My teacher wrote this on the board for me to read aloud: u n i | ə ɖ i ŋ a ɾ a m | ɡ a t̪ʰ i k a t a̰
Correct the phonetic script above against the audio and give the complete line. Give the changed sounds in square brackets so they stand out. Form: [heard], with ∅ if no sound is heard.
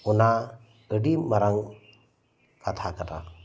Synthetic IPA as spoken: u n [a] | ə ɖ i [m] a ɾ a [ŋ] | [k] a t̪ʰ [a] k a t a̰